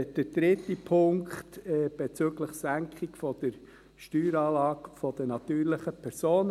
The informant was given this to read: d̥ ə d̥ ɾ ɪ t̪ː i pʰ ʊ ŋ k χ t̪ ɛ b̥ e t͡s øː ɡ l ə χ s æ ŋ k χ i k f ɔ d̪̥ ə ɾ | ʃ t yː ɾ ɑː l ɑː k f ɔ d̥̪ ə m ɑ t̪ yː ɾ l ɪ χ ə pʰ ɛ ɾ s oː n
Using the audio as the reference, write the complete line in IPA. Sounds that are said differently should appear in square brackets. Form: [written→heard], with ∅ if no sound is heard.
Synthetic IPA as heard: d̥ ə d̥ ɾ ɪ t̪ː i pʰ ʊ ŋ k χ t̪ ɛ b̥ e t͡s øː ɡ l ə χ s æ ŋ k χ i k f ɔ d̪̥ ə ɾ | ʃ t yː ɾ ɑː l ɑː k f ɔ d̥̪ ə [m→n] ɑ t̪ yː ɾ l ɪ χ ə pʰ ɛ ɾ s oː n